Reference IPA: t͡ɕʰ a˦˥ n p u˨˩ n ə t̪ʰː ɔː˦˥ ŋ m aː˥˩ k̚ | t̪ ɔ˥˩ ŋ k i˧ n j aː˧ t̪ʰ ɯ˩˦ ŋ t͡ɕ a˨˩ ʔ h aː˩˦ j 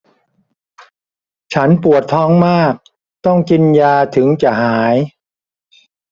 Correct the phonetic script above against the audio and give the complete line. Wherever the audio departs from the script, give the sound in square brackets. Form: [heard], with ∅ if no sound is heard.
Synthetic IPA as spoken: t͡ɕʰ a˦˥ n p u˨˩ [∅] ə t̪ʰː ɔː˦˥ ŋ m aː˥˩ k̚ | t̪ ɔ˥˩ ŋ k i˧ n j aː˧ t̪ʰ ɯ˩˦ ŋ t͡ɕ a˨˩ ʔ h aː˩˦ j

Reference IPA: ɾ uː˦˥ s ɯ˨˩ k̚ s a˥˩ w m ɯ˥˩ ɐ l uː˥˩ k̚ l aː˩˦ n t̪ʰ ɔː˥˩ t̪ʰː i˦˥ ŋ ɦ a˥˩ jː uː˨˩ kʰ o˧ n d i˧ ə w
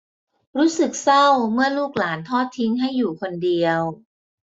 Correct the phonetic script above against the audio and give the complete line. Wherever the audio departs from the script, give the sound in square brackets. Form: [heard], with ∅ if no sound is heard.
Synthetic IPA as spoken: ɾ uː˦˥ s ɯ˨˩ k̚ s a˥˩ w m ɯ˥˩ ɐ l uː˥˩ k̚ l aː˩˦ n t̪ʰ ɔː˥˩ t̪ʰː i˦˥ ŋ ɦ a˥˩ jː uː˨˩ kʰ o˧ n d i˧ ə w

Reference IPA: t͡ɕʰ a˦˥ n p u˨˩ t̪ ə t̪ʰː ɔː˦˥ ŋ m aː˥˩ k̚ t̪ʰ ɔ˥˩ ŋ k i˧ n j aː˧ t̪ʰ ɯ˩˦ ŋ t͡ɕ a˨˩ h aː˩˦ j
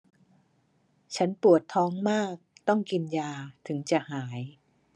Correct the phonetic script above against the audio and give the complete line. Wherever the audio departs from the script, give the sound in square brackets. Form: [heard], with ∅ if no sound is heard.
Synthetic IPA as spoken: t͡ɕʰ a˦˥ n p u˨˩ [∅] ə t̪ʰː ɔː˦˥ ŋ m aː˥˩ k̚ [t̪] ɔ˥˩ ŋ k i˧ n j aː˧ t̪ʰ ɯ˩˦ ŋ t͡ɕ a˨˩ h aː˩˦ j

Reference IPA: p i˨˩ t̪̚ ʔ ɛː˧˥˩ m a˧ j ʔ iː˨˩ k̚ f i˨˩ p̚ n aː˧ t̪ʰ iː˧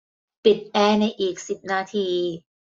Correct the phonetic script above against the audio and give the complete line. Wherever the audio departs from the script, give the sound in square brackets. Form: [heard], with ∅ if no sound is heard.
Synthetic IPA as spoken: p i˨˩ t̪̚ ʔ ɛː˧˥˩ [n] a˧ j ʔ iː˨˩ k̚ [s] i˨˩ p̚ n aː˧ t̪ʰ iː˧

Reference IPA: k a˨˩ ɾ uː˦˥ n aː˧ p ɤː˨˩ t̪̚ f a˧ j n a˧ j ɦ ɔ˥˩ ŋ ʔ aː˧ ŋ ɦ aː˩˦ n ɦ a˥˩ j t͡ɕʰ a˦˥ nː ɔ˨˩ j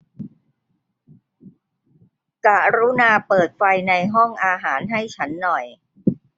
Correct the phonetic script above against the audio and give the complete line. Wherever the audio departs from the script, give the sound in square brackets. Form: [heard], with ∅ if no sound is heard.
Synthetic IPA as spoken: k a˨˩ ɾ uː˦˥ n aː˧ p ɤː˨˩ t̪̚ f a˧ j n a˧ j ɦ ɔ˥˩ ŋ ʔ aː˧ [∅] ɦ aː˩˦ n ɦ a˥˩ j t͡ɕʰ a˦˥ nː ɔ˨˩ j

